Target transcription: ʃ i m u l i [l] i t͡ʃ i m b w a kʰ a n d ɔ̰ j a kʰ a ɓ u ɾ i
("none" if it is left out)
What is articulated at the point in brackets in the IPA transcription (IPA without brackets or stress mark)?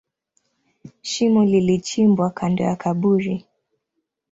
l